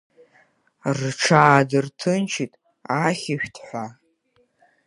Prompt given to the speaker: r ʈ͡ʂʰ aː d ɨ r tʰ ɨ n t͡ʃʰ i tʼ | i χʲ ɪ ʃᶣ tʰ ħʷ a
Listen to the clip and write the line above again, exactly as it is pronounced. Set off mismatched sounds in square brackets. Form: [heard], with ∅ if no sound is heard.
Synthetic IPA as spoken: r ʈ͡ʂʰ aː d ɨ r tʰ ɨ n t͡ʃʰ i tʼ | [a] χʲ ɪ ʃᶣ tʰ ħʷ a